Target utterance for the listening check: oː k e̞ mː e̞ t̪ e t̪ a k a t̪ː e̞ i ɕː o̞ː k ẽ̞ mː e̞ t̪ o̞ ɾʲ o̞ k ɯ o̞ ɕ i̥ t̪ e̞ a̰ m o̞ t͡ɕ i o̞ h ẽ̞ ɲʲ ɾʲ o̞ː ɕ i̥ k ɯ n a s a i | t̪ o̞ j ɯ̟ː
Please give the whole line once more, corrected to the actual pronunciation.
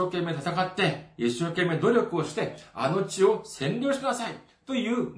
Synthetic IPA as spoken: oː k e̞ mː e̞ t̪ a t̪ a k a t̪ː e̞ i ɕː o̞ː k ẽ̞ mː e̞ d̪ o̞ ɾʲ o̞ k ɯ o̞ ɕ i̥ t̪ e̞ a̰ n o̞ t͡ɕ i o̞ s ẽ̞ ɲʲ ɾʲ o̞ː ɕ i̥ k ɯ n a s a i | t̪ o̞ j ɯ̟ː